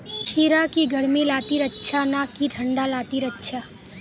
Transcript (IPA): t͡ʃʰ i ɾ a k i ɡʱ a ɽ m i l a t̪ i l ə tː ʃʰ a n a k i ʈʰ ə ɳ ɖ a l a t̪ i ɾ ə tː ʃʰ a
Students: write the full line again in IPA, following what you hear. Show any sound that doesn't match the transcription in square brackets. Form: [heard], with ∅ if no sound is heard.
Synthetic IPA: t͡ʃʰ i ɾ a k i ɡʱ [ə] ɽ m i l a t̪ i [ɾ] ə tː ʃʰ a n a k i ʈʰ ə ɳ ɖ a l a t̪ i ɾ ə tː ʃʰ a